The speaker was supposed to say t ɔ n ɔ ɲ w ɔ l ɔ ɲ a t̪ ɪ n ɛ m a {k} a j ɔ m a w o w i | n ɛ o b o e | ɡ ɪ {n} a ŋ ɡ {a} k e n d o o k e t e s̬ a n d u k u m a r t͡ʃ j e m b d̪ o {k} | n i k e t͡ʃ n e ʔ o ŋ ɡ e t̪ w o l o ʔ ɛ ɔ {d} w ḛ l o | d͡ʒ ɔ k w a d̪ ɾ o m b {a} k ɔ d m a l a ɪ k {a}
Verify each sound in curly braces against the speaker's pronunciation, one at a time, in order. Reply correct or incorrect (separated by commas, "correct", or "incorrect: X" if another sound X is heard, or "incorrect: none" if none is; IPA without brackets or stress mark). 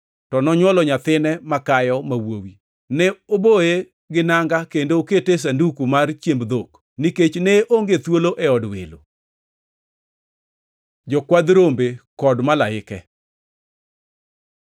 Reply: correct, correct, correct, correct, correct, incorrect: e, incorrect: ɛ